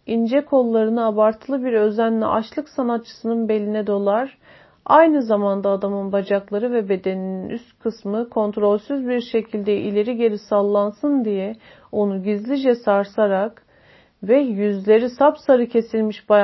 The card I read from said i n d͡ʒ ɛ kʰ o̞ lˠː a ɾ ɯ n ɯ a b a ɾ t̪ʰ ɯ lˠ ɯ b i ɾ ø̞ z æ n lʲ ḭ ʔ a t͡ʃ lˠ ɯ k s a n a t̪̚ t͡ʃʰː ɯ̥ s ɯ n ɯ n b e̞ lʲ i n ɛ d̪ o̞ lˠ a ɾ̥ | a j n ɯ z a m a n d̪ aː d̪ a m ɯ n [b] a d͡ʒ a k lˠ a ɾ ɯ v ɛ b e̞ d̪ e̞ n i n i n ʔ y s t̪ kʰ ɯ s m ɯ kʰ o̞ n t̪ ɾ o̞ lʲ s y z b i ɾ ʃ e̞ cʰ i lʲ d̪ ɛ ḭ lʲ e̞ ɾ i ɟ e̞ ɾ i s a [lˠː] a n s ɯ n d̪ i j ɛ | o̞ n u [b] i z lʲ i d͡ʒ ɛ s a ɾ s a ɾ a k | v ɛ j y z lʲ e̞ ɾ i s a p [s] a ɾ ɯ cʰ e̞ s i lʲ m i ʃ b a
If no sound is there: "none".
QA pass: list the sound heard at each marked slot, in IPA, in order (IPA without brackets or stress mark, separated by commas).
b, lˠː, ɟ, s